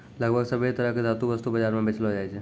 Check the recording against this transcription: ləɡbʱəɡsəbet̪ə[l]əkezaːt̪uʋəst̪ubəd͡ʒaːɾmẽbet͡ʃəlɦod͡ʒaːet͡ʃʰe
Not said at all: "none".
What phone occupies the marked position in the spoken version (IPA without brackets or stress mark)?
ɾ